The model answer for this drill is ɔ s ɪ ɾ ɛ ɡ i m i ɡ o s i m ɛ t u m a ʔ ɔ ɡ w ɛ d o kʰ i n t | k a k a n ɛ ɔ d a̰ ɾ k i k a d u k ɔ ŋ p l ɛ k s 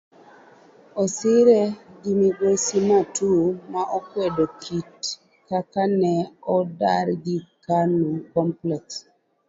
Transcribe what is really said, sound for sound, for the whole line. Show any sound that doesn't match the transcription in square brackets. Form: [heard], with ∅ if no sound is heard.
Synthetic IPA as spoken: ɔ s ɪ ɾ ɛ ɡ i m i ɡ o s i m [a] t u m a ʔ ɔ [k] w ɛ d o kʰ i [∅] t | k a k a n ɛ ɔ d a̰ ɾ [ɡ] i k a [n] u k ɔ [m] p l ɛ k s